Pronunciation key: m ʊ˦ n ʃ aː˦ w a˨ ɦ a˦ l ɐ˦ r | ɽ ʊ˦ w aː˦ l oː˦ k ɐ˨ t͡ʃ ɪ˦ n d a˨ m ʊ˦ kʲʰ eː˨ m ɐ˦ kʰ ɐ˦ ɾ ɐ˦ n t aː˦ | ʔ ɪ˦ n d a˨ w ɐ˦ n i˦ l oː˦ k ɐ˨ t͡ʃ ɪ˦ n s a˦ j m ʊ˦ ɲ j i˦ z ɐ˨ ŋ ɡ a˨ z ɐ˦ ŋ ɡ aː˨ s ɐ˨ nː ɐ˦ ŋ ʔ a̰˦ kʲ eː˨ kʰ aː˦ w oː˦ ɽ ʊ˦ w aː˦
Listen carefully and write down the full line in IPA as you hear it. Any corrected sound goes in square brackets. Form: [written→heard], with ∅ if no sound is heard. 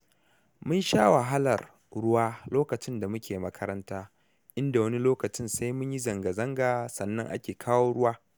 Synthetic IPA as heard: m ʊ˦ n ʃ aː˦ w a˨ ɦ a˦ l [ɐ˦→ɐ˨] r | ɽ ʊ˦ w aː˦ l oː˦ k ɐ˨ t͡ʃ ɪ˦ n d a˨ m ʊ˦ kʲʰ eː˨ m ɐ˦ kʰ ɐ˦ ɾ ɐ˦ n t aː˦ | ʔ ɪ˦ n d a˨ w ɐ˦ n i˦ l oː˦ k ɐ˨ t͡ʃ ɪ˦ n s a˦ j m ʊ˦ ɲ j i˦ z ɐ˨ ŋ ɡ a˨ z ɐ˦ ŋ ɡ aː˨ s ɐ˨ nː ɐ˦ ŋ ʔ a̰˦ kʲ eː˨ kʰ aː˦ w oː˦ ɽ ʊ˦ w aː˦